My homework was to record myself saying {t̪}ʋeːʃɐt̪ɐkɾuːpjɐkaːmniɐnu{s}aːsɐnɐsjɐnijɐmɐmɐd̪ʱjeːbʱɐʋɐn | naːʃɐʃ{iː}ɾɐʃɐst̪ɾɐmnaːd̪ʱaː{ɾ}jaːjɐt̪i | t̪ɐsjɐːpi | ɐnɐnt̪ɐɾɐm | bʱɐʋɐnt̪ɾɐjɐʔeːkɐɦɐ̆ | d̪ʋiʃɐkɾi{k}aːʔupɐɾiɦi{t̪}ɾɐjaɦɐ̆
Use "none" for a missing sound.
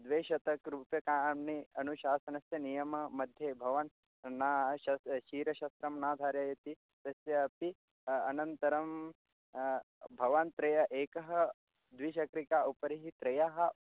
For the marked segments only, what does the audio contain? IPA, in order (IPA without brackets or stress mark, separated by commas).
d̪, ʃ, iː, ɾ, k, t̪